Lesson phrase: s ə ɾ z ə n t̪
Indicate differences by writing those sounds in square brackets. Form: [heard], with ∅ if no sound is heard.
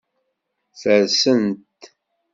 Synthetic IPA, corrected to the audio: [θ] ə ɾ [s] ə n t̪